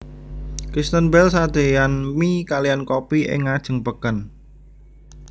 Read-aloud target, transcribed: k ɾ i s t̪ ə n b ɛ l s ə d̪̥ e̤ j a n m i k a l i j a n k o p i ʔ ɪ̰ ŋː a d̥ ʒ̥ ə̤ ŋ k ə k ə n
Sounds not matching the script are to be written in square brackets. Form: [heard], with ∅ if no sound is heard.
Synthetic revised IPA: k ɾ i s t̪ ə n b ɛ l s [a] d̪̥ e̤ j a n m i k a l i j a n k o p i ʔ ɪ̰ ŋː a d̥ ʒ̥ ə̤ ŋ [p] ə k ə n